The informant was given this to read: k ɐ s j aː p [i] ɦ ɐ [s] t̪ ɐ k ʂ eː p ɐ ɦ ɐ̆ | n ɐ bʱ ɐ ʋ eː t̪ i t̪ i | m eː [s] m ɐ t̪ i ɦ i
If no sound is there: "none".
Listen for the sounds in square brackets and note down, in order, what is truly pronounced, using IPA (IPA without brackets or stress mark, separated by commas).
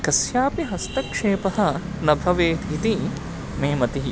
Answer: i, s, none